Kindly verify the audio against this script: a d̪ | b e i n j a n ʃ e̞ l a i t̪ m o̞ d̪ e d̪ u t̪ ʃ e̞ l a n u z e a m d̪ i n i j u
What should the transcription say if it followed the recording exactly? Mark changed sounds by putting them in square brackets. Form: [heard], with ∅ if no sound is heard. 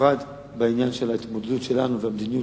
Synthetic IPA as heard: a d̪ | b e i n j a n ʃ e̞ l a i t̪ m o̞ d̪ e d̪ u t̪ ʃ e̞ l a n u [v] e a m d̪ i n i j u